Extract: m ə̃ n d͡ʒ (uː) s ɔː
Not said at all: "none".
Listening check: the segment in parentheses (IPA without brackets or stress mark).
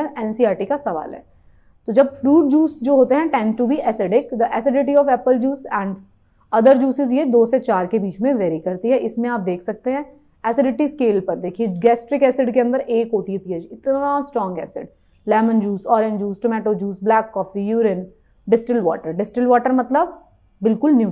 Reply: uː